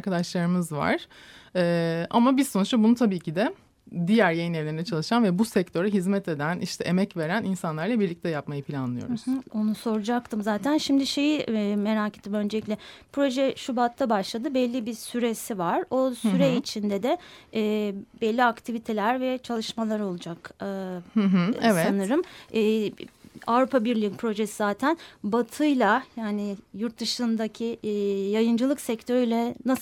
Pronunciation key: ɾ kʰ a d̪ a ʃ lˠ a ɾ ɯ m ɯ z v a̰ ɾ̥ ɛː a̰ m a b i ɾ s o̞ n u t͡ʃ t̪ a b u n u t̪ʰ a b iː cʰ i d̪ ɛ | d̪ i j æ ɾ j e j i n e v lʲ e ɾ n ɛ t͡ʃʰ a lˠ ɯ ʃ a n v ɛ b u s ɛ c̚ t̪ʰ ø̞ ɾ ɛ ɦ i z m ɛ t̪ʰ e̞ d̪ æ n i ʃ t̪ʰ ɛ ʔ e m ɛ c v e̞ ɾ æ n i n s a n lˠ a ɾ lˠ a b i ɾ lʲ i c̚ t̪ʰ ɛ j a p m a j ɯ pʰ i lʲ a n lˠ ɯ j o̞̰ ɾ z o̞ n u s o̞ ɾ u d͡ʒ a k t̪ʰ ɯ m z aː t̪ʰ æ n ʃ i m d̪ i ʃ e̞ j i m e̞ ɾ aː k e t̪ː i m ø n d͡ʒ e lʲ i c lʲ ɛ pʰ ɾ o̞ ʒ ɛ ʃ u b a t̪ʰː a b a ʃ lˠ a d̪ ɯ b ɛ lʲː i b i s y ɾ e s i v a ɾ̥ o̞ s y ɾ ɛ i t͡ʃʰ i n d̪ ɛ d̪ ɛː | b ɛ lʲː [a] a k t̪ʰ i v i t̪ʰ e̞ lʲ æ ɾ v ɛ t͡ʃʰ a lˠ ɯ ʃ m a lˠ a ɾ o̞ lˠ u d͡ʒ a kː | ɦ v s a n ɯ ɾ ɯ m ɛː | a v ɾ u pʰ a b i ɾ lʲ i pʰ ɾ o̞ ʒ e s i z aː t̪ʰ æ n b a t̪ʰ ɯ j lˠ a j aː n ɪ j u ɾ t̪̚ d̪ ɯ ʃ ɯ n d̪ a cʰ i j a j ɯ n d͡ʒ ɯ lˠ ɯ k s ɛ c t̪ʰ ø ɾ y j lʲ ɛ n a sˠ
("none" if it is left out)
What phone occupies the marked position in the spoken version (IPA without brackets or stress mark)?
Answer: i